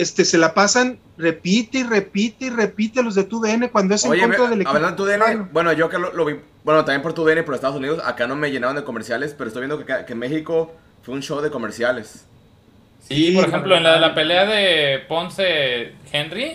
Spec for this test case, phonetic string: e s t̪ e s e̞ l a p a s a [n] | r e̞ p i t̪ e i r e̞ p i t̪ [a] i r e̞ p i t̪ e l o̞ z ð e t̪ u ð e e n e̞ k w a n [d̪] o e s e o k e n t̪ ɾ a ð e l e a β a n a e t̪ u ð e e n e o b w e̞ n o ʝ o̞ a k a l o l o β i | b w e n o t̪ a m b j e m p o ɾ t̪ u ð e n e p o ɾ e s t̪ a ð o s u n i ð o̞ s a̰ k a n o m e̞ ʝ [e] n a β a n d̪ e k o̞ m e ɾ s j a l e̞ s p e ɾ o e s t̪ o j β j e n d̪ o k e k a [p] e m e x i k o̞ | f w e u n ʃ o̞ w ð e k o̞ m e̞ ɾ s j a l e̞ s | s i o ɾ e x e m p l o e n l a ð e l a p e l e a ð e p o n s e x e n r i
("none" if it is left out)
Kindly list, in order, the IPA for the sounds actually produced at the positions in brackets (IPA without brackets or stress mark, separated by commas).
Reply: n, e, d̪, e, k